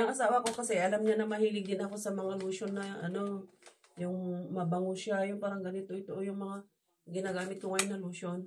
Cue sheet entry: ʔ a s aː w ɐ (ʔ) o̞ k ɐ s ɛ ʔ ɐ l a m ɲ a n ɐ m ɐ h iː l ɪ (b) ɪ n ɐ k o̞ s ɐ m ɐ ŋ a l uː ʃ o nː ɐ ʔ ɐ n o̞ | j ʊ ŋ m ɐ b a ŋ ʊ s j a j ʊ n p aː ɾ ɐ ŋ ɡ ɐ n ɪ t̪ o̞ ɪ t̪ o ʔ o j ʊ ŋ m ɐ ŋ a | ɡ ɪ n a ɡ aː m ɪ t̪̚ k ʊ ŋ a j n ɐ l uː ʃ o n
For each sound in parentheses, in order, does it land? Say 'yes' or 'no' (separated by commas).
no, no